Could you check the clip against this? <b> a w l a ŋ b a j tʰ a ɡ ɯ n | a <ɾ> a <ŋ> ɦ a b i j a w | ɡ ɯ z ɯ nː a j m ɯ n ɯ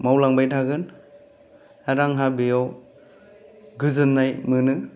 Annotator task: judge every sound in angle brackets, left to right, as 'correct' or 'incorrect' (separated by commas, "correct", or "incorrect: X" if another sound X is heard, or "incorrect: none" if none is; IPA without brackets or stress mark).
incorrect: m, correct, correct